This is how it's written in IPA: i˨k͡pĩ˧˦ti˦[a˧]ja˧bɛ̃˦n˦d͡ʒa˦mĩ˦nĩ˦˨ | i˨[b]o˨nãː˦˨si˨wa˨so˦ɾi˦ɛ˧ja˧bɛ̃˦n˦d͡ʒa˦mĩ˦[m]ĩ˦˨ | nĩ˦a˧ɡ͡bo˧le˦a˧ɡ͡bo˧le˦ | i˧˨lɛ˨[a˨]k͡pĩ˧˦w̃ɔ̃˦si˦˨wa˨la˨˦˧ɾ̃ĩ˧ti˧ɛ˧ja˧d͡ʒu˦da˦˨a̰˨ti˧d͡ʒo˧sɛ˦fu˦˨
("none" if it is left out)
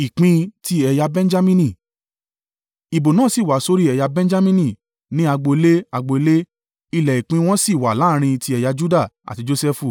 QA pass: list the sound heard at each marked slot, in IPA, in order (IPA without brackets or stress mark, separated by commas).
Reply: ɛ˧, b, n, i˨